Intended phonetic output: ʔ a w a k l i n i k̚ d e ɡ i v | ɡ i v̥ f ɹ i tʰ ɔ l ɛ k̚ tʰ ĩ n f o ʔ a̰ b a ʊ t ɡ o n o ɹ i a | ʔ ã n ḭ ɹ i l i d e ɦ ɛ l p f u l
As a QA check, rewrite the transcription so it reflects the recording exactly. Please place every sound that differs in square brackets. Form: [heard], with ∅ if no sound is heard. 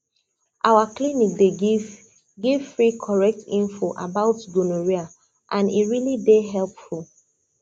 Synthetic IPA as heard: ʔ a w a k l i n i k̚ d e ɡ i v | ɡ i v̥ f ɹ i [kʰ] ɔ [ɹ] ɛ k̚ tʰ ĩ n f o ʔ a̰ b a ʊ t ɡ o n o ɹ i a | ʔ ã n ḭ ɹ i l i d e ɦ ɛ l p f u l